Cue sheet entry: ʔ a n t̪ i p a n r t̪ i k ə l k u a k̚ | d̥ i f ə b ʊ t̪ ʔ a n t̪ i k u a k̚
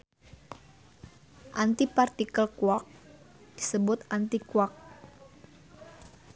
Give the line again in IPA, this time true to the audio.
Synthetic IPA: ʔ a n t̪ i p a r t̪ i k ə l k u a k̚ | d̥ i s ə b ʊ t̪ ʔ a n t̪ i k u a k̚

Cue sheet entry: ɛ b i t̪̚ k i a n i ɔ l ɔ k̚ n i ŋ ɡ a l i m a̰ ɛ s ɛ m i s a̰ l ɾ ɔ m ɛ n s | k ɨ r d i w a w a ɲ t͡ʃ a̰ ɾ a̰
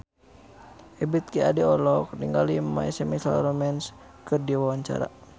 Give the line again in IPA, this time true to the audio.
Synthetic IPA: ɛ b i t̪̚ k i a d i ɔ l ɔ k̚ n i ŋ ɡ a l i m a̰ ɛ s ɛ m i s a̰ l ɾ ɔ m ɛ n s | k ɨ r d i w a w a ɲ t͡ʃ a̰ ɾ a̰

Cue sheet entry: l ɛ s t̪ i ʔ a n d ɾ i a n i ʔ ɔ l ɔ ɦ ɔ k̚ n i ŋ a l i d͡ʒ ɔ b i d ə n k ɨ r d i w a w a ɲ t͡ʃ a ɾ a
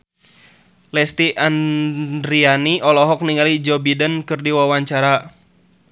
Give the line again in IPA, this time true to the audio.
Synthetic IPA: l ɛ s t̪ i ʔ a n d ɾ i a n i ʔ ɔ l ɔ ɦ ɔ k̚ n i ŋ a l i d͡ʒ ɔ b i d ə n k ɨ r d i w a w a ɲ t͡ʃ a ɾ a

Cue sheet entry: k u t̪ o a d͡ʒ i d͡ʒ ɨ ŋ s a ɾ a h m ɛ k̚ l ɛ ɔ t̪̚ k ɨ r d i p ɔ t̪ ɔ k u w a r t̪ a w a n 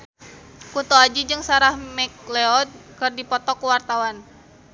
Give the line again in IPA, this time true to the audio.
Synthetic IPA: k u t̪ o a d͡ʒ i d͡ʒ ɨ ŋ s a ɾ a h m ɛ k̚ l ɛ ɔ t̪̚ k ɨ r d i p ɔ t̪ ɔ k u w a r t̪ a w a n

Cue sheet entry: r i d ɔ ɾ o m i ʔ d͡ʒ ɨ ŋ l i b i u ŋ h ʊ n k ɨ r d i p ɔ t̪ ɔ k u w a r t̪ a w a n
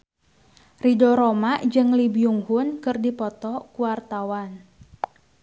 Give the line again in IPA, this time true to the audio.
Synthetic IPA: r i d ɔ ɾ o m a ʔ d͡ʒ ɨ ŋ l i b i u ŋ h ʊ n k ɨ r d i p ɔ t̪ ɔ k u w a r t̪ a w a n

